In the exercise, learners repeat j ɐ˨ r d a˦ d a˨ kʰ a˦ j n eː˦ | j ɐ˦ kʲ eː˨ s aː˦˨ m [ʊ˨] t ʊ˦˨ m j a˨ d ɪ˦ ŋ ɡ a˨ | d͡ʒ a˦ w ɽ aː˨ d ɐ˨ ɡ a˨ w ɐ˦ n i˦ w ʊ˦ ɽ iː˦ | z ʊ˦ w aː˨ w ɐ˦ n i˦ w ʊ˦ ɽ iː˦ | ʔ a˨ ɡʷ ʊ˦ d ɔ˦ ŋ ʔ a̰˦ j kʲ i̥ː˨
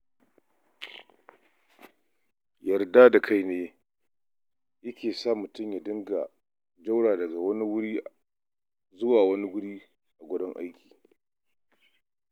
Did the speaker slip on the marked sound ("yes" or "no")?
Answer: no